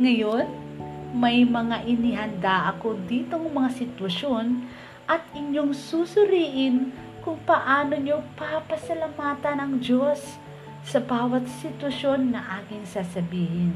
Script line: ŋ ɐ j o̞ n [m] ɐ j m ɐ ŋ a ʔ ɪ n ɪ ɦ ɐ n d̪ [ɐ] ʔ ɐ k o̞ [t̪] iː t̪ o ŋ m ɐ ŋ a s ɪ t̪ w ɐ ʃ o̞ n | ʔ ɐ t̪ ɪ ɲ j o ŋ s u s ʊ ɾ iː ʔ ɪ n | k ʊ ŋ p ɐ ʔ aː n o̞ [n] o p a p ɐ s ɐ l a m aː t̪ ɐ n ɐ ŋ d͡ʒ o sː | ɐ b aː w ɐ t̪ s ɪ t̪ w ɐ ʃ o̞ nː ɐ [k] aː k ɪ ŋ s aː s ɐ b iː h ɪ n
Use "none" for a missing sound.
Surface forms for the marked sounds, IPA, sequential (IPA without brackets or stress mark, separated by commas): m, a, d̪, ɲ, ʔ